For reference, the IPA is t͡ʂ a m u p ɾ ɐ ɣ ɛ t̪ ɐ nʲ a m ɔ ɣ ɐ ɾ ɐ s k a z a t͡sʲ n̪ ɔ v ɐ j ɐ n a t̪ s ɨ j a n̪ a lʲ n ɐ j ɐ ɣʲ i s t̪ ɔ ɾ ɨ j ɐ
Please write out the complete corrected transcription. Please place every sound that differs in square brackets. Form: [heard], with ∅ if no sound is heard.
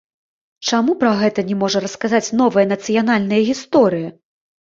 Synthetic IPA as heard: t͡ʂ a m u p ɾ ɐ ɣ ɛ t̪ ɐ nʲ [ɛ] m ɔ [ʐ] ɐ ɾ ɐ s k a z a t͡sʲ n̪ ɔ v ɐ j ɐ n [ɐ] t̪ s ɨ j a n̪ a lʲ n ɐ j ɐ ɣʲ i s t̪ ɔ ɾ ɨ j ɐ